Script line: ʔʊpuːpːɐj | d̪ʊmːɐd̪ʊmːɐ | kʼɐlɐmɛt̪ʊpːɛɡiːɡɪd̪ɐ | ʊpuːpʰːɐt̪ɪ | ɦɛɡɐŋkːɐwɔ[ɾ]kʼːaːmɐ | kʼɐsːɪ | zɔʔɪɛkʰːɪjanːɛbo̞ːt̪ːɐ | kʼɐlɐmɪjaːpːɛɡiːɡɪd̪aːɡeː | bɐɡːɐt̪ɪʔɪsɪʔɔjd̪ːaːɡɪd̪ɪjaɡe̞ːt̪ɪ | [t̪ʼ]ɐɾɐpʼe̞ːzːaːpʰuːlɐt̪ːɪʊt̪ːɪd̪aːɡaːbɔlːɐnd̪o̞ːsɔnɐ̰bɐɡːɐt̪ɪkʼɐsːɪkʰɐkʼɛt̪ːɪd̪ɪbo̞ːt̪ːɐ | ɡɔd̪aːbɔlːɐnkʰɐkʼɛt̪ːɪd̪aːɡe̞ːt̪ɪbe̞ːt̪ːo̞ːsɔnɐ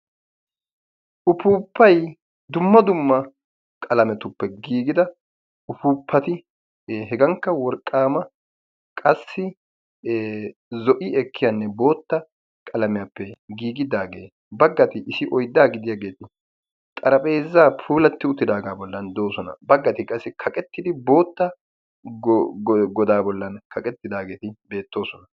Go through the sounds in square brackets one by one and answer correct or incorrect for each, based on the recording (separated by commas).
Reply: correct, correct